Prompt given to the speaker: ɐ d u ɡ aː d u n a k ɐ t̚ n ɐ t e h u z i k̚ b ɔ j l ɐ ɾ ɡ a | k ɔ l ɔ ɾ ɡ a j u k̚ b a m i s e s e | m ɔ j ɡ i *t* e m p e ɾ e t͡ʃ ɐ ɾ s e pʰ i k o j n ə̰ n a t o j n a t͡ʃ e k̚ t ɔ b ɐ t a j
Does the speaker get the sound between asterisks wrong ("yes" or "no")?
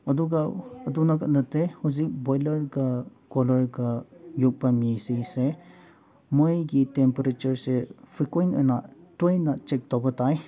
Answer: no